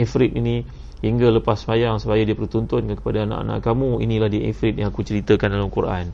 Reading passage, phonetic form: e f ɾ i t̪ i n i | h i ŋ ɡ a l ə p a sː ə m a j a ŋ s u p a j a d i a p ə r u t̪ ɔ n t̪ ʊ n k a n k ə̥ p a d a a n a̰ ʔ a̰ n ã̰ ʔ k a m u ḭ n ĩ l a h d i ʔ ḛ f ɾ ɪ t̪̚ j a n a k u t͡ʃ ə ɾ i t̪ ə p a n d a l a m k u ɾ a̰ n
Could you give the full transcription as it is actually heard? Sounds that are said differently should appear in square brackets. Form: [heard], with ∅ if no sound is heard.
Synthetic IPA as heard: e f ɾ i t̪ i n i | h i ŋ ɡ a l ə p a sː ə m a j a ŋ s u p a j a d i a p ə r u t̪ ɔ n t̪ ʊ n k a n k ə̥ p a d a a n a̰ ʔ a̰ n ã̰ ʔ k a m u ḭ n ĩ l a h d i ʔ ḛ f ɾ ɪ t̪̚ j a [ŋ] a k u t͡ʃ ə ɾ i t̪ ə [k] a n d a l a m k u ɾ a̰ n